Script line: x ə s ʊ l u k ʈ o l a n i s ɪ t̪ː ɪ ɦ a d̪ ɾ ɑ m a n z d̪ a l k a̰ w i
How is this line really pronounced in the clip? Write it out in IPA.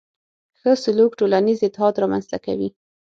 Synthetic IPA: x ə s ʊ l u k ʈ o l a n i z ɪ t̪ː ɪ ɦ ɑ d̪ ɾ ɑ m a n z t̪ a k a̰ w i